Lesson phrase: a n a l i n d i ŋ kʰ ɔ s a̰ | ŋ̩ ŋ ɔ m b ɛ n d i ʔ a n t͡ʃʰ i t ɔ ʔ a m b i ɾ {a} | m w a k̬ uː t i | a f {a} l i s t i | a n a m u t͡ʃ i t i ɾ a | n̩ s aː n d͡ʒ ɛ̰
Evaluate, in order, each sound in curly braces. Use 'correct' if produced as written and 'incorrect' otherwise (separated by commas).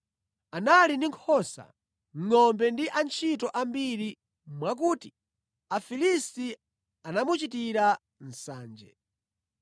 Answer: incorrect, incorrect